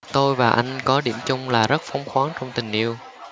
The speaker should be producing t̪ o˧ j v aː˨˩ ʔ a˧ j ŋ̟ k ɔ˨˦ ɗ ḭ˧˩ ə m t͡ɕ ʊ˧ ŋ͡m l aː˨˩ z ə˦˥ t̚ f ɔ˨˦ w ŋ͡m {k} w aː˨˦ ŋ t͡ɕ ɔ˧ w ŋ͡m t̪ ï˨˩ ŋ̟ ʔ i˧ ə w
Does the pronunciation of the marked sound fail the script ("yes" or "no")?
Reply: yes